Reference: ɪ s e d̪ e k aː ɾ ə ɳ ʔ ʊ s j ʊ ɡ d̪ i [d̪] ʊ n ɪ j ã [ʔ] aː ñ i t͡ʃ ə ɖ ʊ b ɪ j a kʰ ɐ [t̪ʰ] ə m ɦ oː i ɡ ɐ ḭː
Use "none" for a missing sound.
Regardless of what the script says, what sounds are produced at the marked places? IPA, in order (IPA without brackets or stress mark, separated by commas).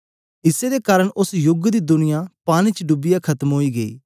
d̪, p, t̪